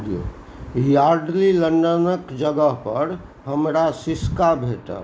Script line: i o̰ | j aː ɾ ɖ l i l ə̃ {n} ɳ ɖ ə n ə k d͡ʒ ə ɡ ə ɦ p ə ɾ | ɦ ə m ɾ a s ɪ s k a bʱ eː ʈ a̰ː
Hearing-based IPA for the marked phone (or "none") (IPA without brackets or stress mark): none